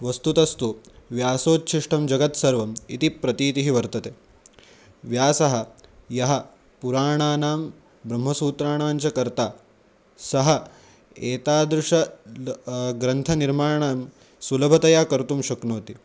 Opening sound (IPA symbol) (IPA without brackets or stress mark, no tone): ʋ